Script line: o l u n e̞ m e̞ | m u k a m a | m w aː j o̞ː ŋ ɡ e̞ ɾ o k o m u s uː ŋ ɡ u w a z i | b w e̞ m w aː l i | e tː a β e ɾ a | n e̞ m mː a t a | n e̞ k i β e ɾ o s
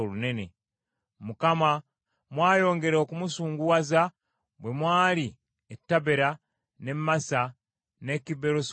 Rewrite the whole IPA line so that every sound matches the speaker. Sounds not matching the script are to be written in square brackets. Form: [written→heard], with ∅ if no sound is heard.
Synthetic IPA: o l u n e̞ [m→n] e̞ | m u k a m a | m w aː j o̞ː ŋ ɡ e̞ ɾ o k [o→u] m u s uː ŋ ɡ u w a z [i→a] | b w e̞ m w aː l i | e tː a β e ɾ a | n e̞ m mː a [t→s] a | n e̞ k i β e ɾ o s